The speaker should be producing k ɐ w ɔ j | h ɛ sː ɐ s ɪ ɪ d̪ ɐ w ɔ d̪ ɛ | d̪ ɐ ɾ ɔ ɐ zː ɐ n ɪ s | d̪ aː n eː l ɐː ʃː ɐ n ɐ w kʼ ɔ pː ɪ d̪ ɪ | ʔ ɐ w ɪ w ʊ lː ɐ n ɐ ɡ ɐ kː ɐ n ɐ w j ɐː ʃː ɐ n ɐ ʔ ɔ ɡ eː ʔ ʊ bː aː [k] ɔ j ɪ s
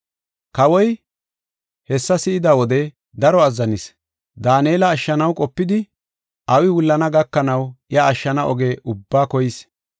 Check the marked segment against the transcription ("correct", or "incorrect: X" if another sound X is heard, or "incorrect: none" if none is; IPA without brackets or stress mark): correct